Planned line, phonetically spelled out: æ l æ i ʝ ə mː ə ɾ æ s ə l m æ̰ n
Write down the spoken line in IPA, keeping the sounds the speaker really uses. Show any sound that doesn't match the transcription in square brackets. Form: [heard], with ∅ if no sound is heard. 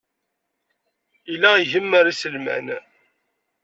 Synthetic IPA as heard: [i] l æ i ʝ ə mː ə ɾ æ s ə l m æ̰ n